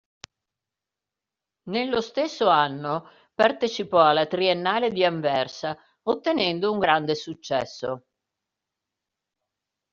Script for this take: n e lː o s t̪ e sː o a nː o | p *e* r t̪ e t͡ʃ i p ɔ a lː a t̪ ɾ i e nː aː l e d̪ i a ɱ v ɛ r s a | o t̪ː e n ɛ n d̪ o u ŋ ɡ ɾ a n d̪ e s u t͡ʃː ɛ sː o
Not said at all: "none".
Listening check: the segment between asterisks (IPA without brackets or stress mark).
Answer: a